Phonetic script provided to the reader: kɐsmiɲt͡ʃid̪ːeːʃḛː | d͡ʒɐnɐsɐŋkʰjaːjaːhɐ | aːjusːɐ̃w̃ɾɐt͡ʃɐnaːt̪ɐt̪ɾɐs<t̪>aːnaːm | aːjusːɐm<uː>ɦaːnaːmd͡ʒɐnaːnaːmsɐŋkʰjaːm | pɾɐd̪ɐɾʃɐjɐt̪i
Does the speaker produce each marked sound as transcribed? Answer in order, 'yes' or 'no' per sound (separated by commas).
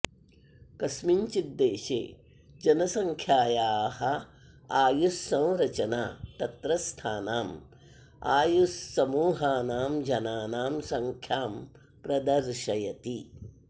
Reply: no, yes